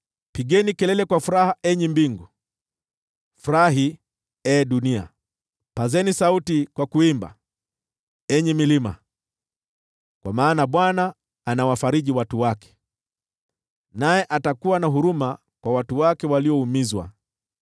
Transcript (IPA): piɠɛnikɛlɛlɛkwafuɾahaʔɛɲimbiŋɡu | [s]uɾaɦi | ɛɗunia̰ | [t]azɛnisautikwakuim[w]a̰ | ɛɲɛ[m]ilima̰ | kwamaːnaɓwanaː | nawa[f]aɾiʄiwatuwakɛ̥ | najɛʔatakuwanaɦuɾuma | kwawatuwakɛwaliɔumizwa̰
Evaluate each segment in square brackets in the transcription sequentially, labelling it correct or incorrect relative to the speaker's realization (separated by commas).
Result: incorrect, incorrect, incorrect, correct, correct